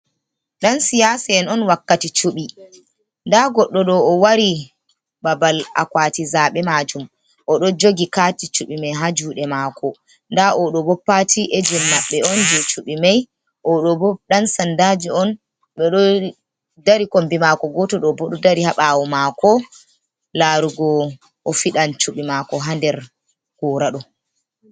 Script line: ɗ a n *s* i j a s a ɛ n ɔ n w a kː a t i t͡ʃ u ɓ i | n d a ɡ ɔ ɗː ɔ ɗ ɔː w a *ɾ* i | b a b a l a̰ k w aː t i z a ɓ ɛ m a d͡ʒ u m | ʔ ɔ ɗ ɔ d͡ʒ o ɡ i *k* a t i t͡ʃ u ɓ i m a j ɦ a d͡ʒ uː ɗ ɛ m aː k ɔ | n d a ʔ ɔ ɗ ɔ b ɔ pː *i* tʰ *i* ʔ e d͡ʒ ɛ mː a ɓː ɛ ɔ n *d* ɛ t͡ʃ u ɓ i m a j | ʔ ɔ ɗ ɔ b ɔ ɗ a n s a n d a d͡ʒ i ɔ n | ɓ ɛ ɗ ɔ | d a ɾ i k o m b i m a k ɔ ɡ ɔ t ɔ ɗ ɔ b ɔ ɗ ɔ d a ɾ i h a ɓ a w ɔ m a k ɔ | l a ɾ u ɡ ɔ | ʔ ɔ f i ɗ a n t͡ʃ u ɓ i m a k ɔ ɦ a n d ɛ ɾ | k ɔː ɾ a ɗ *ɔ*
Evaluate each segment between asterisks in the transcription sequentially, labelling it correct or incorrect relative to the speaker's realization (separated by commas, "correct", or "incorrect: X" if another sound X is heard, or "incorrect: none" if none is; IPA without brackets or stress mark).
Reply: correct, correct, correct, incorrect: a, correct, incorrect: d͡ʒ, correct